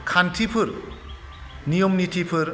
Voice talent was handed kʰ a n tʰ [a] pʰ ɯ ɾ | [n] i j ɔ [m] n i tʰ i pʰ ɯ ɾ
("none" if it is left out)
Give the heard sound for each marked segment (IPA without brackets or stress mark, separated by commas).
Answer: i, n, m